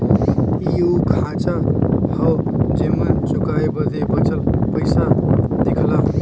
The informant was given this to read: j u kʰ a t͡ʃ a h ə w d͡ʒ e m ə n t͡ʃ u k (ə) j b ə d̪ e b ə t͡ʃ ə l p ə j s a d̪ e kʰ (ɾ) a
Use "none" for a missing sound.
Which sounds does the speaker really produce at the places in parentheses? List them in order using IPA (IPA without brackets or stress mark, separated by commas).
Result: a, l